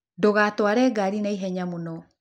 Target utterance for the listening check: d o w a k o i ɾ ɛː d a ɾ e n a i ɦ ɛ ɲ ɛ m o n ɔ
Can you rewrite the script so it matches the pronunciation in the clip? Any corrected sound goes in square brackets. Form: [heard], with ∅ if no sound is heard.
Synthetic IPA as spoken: d o [ɣ] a [t] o [a] ɾ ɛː [ɡ] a ɾ [i] n a i ɦ ɛ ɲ [a] m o n ɔ